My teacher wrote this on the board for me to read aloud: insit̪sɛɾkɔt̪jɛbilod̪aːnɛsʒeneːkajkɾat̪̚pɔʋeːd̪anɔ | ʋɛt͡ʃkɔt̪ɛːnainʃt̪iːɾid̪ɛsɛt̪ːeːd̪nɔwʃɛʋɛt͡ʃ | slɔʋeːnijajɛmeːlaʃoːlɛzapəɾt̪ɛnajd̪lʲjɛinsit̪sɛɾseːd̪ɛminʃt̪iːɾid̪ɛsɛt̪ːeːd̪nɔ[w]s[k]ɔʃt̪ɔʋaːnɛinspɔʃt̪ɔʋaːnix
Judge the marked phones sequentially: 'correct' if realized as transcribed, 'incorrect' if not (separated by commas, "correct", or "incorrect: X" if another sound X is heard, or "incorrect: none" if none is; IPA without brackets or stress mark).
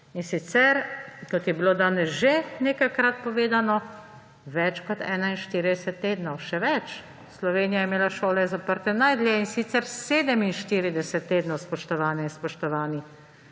correct, incorrect: p